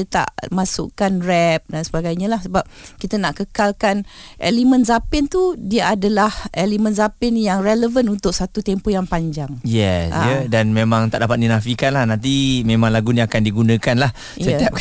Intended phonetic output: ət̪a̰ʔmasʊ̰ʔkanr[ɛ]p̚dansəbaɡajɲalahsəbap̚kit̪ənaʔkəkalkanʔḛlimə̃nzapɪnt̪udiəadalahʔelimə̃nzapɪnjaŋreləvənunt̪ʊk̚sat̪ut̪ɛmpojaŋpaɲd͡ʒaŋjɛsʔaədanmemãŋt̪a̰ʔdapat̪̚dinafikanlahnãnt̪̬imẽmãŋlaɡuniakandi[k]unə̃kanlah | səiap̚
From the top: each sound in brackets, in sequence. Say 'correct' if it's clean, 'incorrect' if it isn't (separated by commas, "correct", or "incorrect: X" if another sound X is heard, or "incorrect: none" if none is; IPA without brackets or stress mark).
correct, incorrect: ɡ